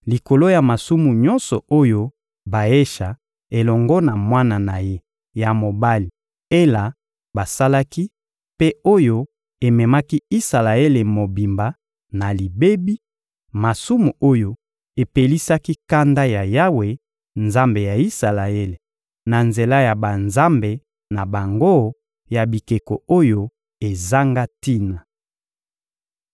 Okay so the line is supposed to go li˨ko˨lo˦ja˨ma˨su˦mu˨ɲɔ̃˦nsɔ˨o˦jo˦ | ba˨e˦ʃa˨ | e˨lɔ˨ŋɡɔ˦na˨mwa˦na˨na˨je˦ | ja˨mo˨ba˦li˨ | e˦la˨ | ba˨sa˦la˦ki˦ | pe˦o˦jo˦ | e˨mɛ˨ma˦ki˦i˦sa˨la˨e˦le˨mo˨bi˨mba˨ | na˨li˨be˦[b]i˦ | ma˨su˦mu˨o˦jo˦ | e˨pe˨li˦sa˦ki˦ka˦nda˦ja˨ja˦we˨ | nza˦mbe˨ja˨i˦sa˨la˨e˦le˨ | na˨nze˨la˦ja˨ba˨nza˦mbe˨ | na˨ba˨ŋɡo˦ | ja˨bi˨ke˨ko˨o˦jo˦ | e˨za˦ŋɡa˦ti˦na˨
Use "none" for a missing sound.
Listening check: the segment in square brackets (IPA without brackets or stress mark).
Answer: b